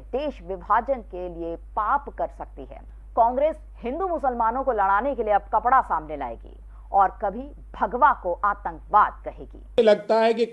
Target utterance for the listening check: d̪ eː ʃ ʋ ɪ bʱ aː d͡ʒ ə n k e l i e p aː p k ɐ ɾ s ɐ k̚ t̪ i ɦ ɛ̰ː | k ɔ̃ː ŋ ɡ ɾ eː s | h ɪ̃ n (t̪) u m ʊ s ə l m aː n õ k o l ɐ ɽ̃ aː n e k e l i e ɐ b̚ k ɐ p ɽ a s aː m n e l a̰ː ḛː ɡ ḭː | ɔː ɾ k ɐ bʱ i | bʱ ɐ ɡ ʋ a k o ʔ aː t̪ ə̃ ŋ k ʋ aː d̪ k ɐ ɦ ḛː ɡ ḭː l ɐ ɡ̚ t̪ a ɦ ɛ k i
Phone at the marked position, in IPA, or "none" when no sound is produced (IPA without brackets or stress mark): d̪